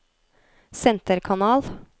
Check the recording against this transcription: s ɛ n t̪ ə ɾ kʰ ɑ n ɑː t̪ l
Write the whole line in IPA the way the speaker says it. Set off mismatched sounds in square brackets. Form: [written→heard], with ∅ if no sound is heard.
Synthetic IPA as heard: s ɛ n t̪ ə ɾ kʰ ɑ n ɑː [t̪→∅] l

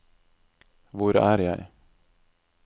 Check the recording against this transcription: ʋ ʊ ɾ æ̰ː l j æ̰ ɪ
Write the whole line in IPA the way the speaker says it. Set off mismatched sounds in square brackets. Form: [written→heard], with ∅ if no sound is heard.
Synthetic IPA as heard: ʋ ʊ ɾ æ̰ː [l→ɾ] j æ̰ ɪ

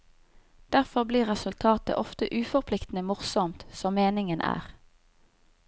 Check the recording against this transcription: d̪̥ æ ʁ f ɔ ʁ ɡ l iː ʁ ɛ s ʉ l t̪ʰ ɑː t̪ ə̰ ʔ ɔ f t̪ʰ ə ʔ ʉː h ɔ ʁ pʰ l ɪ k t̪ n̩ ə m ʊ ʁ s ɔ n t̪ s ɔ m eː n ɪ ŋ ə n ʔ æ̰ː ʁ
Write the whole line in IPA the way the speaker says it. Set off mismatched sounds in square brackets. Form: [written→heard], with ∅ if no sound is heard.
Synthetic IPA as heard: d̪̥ æ ʁ f ɔ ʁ [ɡ→b] l iː ʁ ɛ s ʉ l t̪ʰ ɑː t̪ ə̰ ʔ ɔ f [t̪ʰ→t̪] ə ʔ ʉː [h→f] ɔ ʁ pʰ l ɪ k t̪ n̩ ə m ʊ ʁ s ɔ [n→m] t̪ s ɔ m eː n ɪ ŋ ə n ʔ æ̰ː ʁ

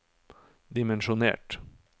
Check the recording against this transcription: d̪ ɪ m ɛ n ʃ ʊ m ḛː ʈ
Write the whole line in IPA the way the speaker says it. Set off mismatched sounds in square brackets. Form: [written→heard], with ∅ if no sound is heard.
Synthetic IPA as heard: d̪ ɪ m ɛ n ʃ ʊ [m→n] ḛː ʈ

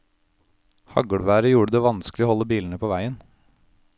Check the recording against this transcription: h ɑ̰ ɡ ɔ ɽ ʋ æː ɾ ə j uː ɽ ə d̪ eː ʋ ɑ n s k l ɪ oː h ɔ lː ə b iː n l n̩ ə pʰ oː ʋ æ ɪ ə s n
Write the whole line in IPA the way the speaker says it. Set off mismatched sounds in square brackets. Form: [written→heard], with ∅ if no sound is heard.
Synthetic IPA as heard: h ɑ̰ ɡ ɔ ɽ ʋ æː ɾ ə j uː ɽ ə d̪ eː ʋ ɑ n s k l ɪ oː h ɔ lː ə b iː [n→∅] l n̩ ə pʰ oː ʋ æ ɪ ə [s→∅] n

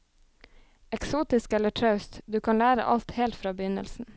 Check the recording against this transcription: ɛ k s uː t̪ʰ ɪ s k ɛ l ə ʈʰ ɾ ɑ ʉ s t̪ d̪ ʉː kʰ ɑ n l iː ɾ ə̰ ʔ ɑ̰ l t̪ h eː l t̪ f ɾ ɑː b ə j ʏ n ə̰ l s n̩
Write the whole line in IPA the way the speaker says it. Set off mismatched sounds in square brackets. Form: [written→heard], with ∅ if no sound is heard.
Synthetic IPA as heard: ɛ k s uː [t̪ʰ→t̪] ɪ s k ɛ l ə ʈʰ ɾ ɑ ʉ s t̪ d̪ ʉː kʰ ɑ n l [iː→æː] ɾ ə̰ ʔ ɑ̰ l t̪ h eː l t̪ f ɾ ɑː b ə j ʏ n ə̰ l s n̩

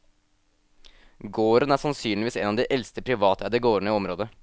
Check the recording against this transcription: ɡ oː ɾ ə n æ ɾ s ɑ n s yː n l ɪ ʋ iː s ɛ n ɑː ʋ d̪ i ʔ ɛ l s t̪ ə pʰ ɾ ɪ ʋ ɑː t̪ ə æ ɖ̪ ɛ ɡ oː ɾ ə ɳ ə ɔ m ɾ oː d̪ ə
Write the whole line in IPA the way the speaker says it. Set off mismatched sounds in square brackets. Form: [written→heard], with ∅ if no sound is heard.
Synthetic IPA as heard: ɡ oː ɾ ə n æ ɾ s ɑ n s yː n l ɪ ʋ iː s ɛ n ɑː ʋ d̪ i ʔ ɛ l s t̪ ə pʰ ɾ ɪ ʋ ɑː t̪ ə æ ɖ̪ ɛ ɡ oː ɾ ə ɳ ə ɔ m ɾ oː d̪ ə

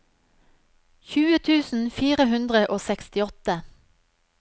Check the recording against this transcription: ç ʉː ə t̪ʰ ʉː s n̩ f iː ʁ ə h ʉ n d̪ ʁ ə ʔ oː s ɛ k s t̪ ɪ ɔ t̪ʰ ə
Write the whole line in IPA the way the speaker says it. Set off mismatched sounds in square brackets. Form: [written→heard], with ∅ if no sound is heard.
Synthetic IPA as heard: ç ʉː ə t̪ʰ ʉː s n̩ f iː ʁ ə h ʉ n d̪ ʁ ə ʔ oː s ɛ k s t̪ ɪ ɔ [t̪ʰ→t̪] ə

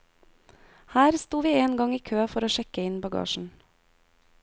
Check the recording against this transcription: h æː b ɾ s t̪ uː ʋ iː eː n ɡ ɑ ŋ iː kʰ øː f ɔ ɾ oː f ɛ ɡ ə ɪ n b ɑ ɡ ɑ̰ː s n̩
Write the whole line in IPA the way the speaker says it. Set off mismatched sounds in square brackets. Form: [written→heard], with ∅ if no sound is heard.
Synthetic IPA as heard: h æː [b→∅] ɾ s t̪ uː ʋ iː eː n ɡ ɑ ŋ iː kʰ øː f ɔ ɾ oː [f→ʃ] ɛ [ɡ→k] ə ɪ n b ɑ ɡ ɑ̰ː [s→ʃ] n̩

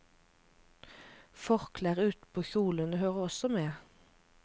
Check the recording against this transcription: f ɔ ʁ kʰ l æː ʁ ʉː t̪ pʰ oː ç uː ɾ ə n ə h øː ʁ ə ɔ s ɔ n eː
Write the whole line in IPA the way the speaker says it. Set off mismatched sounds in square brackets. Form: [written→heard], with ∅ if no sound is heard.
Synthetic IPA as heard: f ɔ ʁ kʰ l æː ʁ ʉː t̪ pʰ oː ç uː [ɾ→l] ə n ə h øː ʁ ə ɔ s ɔ [n→m] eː

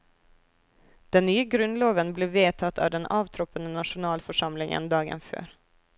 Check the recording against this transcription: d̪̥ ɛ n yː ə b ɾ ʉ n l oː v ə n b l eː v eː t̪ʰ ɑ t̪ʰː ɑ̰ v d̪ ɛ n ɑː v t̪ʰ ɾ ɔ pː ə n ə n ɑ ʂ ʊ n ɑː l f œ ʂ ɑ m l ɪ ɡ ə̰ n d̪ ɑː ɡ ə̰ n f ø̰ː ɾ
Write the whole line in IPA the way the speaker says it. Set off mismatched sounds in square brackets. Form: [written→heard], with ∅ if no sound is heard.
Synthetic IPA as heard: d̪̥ ɛ [n→nː] yː ə [b→ɡ] ɾ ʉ n l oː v ə n b l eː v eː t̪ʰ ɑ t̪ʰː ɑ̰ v d̪ ɛ n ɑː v t̪ʰ ɾ ɔ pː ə n ə n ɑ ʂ ʊ n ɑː l f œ ʂ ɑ m l ɪ [ɡ→ŋ] ə̰ n d̪ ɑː ɡ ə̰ n f ø̰ː ɾ

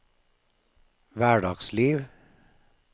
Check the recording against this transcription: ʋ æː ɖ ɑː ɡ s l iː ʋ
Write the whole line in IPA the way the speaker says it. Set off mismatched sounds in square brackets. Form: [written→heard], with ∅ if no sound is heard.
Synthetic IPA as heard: ʋ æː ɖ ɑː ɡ s l iː ʋ

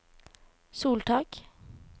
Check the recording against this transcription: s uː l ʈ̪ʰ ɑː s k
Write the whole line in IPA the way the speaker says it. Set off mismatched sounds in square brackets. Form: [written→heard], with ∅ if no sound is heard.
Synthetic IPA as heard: s uː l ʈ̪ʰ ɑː [s→∅] k

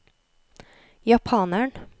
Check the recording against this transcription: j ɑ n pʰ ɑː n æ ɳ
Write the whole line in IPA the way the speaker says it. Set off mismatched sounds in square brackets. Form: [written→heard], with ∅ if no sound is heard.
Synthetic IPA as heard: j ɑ [n→∅] pʰ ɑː n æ ɳ

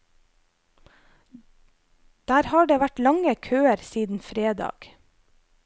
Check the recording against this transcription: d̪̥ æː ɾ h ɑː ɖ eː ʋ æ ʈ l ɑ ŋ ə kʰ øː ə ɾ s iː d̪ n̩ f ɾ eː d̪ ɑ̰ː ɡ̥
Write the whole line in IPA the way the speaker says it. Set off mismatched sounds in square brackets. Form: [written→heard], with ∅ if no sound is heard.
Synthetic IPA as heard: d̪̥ æː ɾ h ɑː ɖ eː ʋ æ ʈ l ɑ ŋ ə kʰ øː ə ɾ s iː d̪ n̩ f ɾ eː d̪ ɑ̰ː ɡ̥

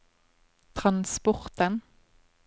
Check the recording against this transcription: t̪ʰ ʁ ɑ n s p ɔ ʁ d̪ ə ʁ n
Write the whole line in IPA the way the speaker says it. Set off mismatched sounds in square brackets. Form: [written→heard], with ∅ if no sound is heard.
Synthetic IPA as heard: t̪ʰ ʁ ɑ n s p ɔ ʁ [d̪→t̪] ə [ʁ→∅] n

